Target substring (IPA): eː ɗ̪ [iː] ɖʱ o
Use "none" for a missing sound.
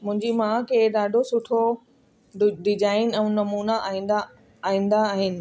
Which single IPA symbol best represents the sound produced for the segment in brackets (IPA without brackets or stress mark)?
aː